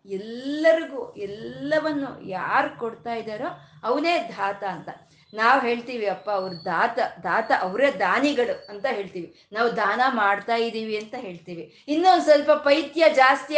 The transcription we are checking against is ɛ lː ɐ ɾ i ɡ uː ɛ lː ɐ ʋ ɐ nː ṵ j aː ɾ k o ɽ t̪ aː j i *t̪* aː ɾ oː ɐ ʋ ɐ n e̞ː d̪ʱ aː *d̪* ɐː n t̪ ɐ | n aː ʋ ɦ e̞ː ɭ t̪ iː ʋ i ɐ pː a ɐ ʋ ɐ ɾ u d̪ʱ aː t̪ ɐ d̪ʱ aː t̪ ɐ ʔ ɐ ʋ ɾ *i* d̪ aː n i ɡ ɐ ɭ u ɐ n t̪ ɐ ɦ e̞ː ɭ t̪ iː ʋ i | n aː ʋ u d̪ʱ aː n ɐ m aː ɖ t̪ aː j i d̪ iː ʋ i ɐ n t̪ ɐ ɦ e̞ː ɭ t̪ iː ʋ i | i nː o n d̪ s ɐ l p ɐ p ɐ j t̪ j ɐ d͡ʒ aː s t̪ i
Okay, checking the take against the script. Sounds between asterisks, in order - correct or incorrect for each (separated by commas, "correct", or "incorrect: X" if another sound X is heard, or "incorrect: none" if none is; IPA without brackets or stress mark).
incorrect: d̪, incorrect: t̪, incorrect: e